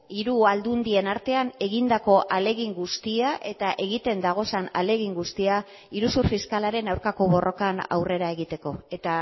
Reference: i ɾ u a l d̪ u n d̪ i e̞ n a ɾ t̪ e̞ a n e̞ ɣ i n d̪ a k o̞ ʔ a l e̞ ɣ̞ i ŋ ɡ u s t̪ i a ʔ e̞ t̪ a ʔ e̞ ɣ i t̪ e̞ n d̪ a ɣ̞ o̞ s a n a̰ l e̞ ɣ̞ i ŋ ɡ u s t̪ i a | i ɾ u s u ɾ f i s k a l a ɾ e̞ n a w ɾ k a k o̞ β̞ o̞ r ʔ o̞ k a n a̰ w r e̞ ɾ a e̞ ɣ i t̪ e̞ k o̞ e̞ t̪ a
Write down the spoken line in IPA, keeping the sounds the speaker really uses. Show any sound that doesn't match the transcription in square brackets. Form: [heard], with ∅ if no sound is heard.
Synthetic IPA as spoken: i ɾ u a l d̪ u n d̪ i e̞ n a ɾ t̪ e̞ a n e̞ ɣ i n d̪ a k o̞ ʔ a l e̞ ɣ̞ i ŋ ɡ u s t̪ i a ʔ e̞ t̪ a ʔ e̞ ɣ i t̪ e̞ n d̪ a ɣ̞ o̞ s a n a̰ l e̞ ɣ̞ i ŋ ɡ u s t̪ i a | i ɾ u s u ɾ f i s k a l a ɾ e̞ n a w ɾ k a k o̞ β̞ o̞ r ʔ o̞ k a n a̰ w r e̞ ɾ a e̞ ɣ i t̪ e̞ k o̞ e̞ t̪ a